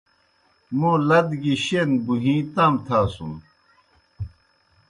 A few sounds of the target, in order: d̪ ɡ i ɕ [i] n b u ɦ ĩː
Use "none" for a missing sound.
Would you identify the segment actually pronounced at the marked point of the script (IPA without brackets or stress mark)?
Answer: e